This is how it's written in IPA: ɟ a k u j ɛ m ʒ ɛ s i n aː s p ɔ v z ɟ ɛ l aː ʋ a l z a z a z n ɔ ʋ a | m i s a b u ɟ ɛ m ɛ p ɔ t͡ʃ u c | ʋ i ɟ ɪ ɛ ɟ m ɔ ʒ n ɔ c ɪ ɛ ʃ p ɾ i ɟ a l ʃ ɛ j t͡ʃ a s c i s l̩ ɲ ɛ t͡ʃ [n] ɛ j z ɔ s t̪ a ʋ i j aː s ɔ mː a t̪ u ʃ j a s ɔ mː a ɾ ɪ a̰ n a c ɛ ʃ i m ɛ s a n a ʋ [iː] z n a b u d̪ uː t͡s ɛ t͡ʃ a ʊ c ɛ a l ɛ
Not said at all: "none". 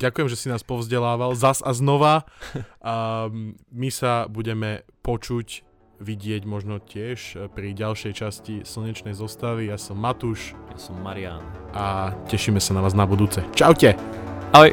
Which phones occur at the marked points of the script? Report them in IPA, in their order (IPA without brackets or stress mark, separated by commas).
n, aː